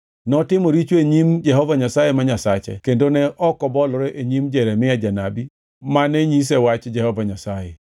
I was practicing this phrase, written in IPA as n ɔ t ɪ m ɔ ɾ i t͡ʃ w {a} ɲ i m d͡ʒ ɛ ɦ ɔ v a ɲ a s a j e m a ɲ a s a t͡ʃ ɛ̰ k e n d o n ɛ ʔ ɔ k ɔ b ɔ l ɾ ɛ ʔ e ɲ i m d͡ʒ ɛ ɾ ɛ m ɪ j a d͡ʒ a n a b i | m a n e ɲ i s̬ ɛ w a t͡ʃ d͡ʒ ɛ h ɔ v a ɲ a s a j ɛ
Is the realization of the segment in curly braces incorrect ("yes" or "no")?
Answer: yes